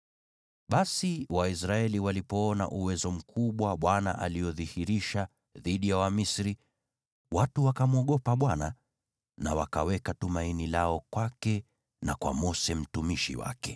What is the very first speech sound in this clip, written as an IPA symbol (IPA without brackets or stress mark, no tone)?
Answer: ɓ